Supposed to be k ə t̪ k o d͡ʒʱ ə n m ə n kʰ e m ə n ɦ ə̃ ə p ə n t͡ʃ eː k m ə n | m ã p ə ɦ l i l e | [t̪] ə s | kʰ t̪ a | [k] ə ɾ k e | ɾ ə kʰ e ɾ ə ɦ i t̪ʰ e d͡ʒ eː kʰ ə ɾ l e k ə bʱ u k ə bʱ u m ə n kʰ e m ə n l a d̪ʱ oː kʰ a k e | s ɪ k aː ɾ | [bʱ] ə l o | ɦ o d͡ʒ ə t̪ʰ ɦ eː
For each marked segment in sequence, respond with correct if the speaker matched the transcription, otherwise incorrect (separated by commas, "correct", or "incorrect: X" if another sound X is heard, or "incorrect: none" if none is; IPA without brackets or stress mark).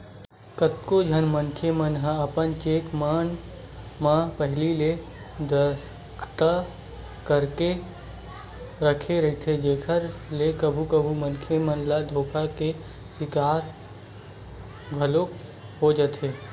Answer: incorrect: d̪, correct, incorrect: ɡʱ